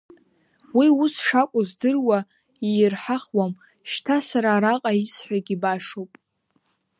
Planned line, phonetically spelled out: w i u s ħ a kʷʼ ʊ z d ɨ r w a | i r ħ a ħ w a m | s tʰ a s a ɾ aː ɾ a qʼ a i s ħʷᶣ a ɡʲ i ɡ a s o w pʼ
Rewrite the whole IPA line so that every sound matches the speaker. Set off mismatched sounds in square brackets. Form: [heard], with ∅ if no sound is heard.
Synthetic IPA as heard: w i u s [ʂ] a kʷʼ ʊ z d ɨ r w a | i r ħ a [χ] w a m | [ʃ] tʰ a s a ɾ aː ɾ a qʼ a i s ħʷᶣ a ɡʲ i [b] a [ʂ] o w pʼ